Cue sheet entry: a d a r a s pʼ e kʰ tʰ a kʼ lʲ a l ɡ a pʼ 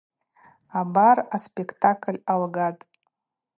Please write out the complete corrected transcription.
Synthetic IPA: a b a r a s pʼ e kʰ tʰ a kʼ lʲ a l ɡ a tʼ